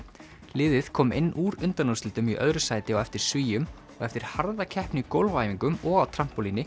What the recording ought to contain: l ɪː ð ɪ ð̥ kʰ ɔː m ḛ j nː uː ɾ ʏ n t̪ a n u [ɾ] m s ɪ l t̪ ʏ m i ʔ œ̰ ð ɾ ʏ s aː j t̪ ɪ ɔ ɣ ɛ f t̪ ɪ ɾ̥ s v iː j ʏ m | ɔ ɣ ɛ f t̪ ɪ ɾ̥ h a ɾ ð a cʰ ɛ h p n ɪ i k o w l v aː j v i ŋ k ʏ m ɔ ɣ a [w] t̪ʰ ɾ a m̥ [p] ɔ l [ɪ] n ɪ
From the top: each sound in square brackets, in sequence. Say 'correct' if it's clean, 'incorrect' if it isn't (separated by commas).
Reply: incorrect, correct, correct, incorrect